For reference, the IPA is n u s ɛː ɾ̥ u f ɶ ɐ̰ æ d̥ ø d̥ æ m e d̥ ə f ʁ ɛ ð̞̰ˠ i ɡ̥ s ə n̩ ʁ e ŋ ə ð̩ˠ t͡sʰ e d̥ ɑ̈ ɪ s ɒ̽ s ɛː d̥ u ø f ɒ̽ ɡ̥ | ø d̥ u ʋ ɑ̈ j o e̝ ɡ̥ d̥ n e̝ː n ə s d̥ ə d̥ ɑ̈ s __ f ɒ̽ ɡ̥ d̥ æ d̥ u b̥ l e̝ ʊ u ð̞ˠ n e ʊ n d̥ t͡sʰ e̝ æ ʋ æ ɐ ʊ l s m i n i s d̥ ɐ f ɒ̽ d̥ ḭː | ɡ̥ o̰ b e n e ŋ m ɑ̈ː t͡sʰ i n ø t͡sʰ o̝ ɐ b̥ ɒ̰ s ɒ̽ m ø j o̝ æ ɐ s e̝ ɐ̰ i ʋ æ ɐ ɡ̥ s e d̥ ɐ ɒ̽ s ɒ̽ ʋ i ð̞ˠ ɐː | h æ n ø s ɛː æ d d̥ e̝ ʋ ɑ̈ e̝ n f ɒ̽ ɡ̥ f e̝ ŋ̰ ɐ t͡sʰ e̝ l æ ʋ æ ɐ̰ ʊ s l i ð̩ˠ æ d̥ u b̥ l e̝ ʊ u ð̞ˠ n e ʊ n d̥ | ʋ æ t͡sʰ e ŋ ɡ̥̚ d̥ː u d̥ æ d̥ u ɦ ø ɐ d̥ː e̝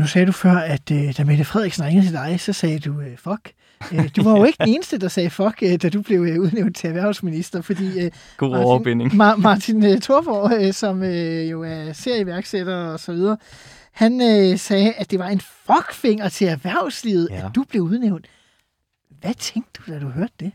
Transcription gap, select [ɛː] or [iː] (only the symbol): ɛː